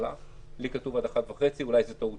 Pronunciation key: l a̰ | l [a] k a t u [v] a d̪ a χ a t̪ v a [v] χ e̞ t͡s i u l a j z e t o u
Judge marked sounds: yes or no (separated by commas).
no, yes, no